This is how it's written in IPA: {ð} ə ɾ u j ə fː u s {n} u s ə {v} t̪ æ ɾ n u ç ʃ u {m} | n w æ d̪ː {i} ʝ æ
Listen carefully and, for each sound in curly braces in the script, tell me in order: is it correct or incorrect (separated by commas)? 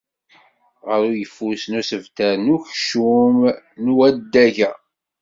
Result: incorrect, correct, correct, correct, incorrect